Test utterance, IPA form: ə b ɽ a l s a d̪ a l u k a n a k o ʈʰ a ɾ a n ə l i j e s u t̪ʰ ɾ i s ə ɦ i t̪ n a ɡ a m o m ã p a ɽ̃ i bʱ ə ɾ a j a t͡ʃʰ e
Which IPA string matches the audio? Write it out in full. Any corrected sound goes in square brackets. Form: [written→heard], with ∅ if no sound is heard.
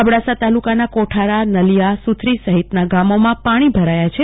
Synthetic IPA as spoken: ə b ɽ a [l→∅] s a [d̪→t̪] a l u k a n a k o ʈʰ a ɾ a n ə l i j [e→a] s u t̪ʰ ɾ i s ə ɦ i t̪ n a ɡ a m o m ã p a ɽ̃ i bʱ ə ɾ a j a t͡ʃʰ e